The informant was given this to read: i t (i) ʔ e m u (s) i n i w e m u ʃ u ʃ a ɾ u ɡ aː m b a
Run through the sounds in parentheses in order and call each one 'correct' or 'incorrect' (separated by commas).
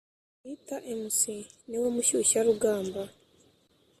incorrect, correct